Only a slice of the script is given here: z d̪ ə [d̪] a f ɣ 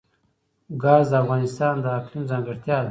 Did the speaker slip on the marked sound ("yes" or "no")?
yes